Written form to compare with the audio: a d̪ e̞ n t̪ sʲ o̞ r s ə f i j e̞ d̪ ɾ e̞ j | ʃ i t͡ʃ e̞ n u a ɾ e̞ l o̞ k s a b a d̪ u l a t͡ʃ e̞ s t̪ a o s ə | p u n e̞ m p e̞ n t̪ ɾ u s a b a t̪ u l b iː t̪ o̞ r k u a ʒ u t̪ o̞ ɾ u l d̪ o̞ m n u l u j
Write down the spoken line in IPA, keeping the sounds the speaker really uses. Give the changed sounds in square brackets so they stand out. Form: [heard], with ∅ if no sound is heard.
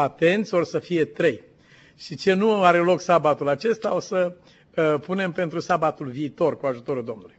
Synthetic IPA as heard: a [t̪] e̞ n t̪ sʲ o̞ r s ə f i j e̞ [t̪] ɾ e̞ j | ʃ i t͡ʃ e̞ n u a ɾ e̞ l o̞ k s a b a [t̪] u l a t͡ʃ e̞ s t̪ a o s ə | p u n e̞ m p e̞ n t̪ ɾ u s a b a t̪ u l [v] iː t̪ o̞ r k u a ʒ u t̪ o̞ ɾ u l d̪ o̞ m n u l u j